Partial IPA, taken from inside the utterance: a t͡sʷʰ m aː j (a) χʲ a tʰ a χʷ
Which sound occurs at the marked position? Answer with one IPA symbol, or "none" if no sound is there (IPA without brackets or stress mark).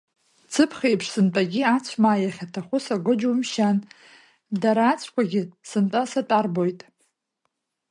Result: a